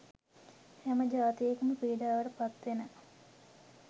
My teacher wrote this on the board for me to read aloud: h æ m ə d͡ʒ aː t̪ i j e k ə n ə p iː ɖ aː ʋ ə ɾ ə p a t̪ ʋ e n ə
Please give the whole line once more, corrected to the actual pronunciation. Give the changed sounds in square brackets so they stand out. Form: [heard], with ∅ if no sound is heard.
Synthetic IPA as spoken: h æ m ə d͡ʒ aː t̪ i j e k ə [m] ə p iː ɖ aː ʋ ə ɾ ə p a t̪ ʋ e n ə